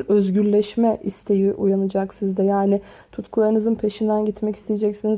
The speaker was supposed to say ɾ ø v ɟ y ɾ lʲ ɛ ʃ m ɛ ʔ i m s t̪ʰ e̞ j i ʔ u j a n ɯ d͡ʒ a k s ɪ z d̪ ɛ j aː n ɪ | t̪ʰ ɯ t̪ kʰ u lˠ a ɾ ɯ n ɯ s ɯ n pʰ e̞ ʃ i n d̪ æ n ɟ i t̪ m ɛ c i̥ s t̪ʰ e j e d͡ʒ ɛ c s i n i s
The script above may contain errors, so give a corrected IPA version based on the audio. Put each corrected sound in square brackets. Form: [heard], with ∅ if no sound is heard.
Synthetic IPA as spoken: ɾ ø [z] ɟ y ɾ lʲ ɛ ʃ m ɛ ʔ i [∅] s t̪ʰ e̞ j i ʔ u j a n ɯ d͡ʒ a k s [i] z d̪ ɛ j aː n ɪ | t̪ʰ [u] t̪ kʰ u lˠ a ɾ ɯ n ɯ [z] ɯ n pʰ e̞ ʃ i n d̪ æ n ɟ i t̪ m ɛ c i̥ s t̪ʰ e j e d͡ʒ ɛ c s i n i [z]